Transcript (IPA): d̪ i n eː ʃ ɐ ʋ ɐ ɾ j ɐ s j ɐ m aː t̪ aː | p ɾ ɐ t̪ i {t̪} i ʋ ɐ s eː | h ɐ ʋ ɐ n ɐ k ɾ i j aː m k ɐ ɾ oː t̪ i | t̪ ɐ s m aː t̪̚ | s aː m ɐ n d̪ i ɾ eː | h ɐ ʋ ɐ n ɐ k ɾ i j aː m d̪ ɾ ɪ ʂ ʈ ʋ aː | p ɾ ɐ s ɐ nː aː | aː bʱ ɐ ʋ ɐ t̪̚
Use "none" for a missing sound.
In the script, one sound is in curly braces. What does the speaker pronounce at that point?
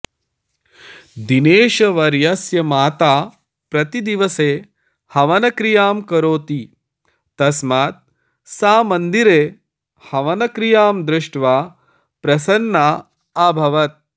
d̪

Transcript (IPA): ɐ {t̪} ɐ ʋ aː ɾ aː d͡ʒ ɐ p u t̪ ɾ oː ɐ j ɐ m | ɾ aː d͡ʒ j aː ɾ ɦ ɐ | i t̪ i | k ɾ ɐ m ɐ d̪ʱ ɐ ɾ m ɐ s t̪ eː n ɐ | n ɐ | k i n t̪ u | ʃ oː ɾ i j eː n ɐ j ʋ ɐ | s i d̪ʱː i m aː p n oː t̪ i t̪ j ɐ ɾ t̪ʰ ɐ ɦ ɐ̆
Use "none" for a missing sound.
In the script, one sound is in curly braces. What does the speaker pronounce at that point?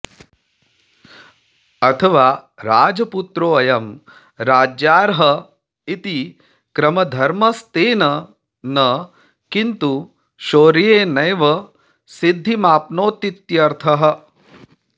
t̪ʰ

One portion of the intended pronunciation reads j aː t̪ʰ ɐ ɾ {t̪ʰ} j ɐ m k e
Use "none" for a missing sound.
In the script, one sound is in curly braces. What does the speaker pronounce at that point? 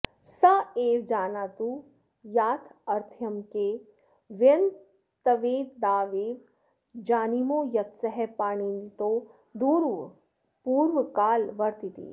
t̪ʰ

